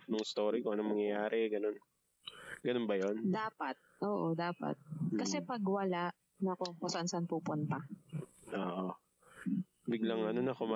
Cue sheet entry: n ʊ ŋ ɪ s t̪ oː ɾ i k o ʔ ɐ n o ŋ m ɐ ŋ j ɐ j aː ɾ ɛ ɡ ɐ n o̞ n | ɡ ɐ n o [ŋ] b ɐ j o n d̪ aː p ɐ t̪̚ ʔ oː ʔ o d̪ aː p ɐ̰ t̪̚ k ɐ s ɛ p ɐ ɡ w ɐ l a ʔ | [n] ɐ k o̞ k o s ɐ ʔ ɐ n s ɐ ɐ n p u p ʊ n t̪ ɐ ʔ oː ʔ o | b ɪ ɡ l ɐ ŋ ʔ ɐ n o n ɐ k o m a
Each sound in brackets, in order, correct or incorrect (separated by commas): incorrect, correct